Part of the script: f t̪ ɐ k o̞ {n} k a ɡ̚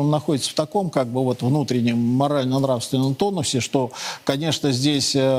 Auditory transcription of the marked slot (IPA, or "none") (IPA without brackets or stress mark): m